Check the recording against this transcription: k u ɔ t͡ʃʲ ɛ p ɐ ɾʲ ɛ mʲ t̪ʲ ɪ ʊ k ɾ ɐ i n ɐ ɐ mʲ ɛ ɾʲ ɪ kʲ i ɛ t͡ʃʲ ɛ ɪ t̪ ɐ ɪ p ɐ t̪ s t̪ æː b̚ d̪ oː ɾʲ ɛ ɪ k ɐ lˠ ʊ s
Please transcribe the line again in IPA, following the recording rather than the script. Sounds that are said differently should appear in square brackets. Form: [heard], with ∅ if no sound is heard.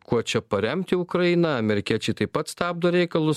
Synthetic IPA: k u ɔ t͡ʃʲ ɛ p ɐ ɾʲ ɛ mʲ t̪ʲ ɪ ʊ k ɾ ɐ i n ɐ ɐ mʲ ɛ ɾʲ ɪ kʲ i ɛ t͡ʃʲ ɛ ɪ t̪ ɐ ɪ p ɐ t̪ s t̪ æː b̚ d̪ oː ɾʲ ɛ ɪ k ɐ lˠ ʊ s